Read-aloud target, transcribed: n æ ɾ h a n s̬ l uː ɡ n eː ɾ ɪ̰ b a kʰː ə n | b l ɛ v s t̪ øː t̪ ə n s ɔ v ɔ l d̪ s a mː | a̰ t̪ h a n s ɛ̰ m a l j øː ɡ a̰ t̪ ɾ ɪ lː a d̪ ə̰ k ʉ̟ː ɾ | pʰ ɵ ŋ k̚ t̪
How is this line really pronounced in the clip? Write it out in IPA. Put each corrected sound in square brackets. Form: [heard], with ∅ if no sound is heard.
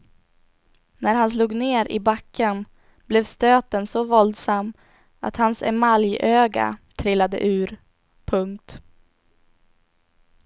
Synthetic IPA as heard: n æ ɾ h a n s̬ l uː ɡ n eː ɾ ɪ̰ b a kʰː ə n | b l ɛ v s t̪ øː t̪ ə n s ɔ v ɔ l d̪ s a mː | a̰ t̪ h a n s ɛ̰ m a l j øː ɡ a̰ [t̪ʰ] ɾ ɪ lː a d̪ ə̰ [ʔ] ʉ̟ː ɾ | pʰ ɵ ŋ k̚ t̪